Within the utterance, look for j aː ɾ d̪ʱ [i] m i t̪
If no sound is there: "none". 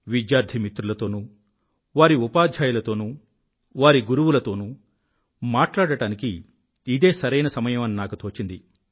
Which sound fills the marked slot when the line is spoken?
i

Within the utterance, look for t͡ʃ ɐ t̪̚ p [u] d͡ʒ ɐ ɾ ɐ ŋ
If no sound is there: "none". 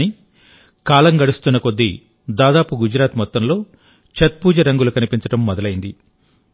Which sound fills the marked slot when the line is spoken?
uː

